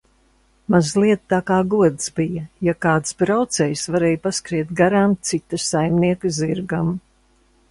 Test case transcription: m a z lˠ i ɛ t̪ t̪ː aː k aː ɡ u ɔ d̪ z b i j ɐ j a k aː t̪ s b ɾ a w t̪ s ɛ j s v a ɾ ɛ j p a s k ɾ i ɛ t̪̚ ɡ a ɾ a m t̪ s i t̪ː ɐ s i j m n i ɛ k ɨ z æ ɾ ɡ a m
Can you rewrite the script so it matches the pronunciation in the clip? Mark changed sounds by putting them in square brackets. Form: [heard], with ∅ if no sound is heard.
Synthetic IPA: m a z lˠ i ɛ t̪ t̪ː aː k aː ɡ u ɔ d̪ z b i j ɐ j a k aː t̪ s b ɾ a w t̪ s ɛ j s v a ɾ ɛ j p a s k ɾ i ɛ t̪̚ ɡ a ɾ a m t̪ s i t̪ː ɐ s [a] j m n i ɛ k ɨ z [i] ɾ ɡ a m